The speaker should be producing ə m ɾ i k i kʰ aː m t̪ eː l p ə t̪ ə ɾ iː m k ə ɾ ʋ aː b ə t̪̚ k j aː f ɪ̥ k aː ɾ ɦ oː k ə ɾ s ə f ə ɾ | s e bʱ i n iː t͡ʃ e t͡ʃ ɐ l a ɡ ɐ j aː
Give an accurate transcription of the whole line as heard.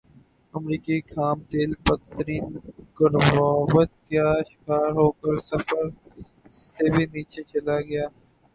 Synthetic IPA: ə m ɾ iː k i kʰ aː m t̪ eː l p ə t̪ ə ɾ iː n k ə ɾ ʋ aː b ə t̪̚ k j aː ʃ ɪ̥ k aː ɾ ɦ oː k ə ɾ s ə f ə ɾ | s e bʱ i n iː t͡ʃ e t͡ʃ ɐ l a ɡ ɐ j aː